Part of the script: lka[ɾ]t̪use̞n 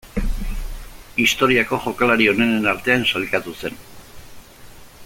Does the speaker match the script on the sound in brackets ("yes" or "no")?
no